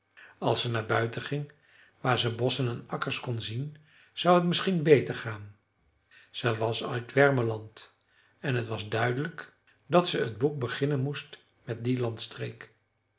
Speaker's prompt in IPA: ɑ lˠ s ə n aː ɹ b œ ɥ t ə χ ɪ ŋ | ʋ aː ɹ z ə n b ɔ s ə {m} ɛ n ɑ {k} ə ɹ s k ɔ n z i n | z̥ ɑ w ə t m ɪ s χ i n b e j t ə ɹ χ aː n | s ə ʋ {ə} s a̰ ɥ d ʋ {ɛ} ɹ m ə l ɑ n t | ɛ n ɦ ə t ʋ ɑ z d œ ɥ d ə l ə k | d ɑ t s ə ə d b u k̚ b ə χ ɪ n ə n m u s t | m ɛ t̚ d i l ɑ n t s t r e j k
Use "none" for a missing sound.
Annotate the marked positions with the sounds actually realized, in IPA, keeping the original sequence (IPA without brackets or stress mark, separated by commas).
n, k, ɑ, ɛ